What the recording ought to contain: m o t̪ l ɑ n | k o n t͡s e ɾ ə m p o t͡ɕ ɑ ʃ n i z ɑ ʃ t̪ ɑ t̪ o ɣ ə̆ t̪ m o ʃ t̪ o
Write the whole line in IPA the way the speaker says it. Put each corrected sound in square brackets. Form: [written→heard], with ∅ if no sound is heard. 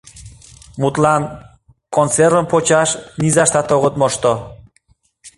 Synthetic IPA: m [o→u] t̪ l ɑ n | k o n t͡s e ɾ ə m p o t͡ɕ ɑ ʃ n i z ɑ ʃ t̪ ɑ t̪ o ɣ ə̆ t̪ m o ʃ t̪ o

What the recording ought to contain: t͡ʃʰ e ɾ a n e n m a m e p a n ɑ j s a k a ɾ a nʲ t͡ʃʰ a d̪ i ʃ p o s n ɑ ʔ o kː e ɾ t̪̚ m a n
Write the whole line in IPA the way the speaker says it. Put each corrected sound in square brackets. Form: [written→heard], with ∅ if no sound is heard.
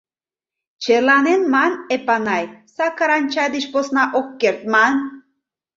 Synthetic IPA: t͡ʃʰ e [ɾ→l] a n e n m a [m→n] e p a n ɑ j s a k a ɾ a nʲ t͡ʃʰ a d̪ i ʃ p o s n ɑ ʔ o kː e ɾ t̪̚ m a n

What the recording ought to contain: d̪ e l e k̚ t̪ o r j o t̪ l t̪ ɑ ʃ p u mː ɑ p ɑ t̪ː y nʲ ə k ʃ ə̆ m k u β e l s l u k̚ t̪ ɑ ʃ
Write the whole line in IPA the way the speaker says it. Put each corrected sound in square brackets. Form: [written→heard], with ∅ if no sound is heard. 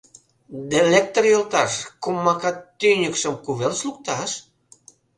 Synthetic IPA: d̪ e l e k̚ t̪ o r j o [t̪→∅] l t̪ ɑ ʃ [p→k] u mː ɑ [p→k] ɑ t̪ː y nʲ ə k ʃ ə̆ m k u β e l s l u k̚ t̪ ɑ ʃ

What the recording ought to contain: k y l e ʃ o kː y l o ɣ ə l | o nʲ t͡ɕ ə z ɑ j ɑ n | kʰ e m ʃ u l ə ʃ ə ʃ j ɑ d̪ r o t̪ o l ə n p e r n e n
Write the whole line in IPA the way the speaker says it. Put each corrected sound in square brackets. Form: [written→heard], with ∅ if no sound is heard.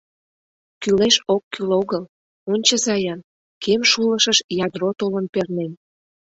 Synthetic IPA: k y l e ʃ o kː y l o ɣ ə l | o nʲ t͡ɕ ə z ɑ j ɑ n | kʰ e m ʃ u l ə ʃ ə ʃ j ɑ d̪ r o t̪ o l ə n p e r n e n

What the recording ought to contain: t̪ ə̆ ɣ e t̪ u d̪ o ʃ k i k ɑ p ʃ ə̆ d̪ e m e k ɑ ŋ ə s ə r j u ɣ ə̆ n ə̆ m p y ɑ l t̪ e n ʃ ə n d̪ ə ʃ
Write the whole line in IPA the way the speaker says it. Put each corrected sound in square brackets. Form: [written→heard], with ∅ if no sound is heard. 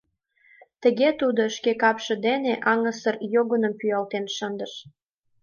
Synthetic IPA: t̪ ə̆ ɣ e t̪ u d̪ o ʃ k [i→e] k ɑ p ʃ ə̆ d̪ e [m→n] e [k→ʔ] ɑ ŋ ə s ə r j [u→o] ɣ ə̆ n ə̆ m p y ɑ l t̪ e n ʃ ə n d̪ ə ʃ

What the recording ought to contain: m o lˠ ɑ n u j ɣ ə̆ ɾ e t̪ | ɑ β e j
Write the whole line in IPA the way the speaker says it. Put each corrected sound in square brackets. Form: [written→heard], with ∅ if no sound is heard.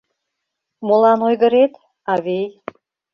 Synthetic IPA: m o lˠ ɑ n [u→o] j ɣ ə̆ ɾ e t̪ | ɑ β e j

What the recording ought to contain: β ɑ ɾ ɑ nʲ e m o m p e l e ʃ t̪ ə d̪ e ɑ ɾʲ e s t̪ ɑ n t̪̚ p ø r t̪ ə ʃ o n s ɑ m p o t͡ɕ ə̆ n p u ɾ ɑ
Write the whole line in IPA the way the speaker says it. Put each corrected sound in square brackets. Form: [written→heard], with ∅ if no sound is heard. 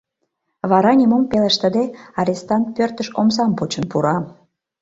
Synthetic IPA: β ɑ ɾ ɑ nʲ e m o m p e l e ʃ t̪ ə d̪ e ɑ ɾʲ e s t̪ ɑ n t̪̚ p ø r t̪ ə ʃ o [n→m] s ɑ m p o t͡ɕ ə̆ n p u ɾ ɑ

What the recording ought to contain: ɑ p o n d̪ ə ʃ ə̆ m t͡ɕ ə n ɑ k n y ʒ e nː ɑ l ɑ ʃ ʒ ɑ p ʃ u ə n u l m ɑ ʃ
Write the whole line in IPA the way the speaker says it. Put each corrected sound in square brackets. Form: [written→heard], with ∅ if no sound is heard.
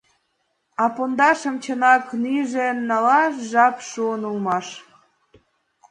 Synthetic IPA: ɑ p o n d̪ [ə→ɑ] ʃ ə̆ m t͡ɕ ə n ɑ k n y ʒ e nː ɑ l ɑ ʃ ʒ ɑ p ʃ u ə n u l m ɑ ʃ

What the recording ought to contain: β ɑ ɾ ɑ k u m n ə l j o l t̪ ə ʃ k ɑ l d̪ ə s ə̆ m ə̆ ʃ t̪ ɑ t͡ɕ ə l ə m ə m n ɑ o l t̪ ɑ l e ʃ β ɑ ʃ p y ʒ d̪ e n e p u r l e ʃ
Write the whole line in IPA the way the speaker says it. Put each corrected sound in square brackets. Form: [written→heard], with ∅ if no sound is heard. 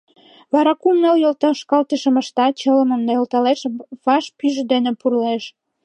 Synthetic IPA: β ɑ ɾ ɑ k u m n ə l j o l t̪ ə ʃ k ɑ l [d̪→t̪] ə [s→ʃ] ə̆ m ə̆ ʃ t̪ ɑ t͡ɕ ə l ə m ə m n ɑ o l t̪ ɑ l e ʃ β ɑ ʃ p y ʒ d̪ e n e p u r l e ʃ

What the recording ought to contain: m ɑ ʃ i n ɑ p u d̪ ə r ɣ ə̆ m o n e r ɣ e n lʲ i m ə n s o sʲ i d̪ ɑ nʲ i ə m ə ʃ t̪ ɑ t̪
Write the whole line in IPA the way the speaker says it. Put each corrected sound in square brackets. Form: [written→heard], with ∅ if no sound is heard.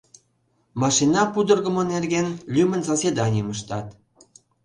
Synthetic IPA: m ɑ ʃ i n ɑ p u d̪ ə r ɣ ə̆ m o n e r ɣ e n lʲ [i→y] m ə n s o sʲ [i→e] d̪ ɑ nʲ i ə m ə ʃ t̪ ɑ t̪

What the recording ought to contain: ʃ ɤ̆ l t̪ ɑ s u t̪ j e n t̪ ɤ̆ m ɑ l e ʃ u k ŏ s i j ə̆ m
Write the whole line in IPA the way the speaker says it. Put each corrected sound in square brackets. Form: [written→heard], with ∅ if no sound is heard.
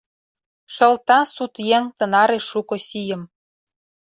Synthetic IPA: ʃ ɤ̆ l t̪ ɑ s u t̪ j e [n→ŋ] t̪ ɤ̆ [m→n] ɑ [l→ɾ] e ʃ u k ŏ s i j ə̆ m

